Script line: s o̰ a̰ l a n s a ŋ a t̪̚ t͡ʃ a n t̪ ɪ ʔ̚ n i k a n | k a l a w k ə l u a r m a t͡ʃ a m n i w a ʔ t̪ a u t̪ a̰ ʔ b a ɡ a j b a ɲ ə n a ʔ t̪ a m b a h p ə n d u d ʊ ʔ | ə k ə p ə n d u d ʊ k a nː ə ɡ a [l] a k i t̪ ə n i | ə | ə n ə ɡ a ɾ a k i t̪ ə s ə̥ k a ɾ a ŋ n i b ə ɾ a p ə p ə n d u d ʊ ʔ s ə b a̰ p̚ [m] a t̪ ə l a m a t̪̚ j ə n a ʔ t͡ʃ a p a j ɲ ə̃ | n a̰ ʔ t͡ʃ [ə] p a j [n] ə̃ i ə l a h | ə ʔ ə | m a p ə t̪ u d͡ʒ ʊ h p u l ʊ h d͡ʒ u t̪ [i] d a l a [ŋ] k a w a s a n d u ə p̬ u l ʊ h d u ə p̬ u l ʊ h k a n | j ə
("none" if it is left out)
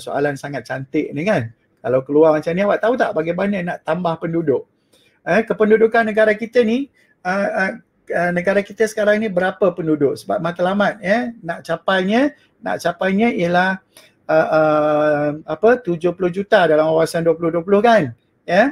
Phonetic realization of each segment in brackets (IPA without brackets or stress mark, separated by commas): ɾ, m, a, ɲ, a, m